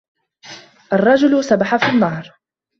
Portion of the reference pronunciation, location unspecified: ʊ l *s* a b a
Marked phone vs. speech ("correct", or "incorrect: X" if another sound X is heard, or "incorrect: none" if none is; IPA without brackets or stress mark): correct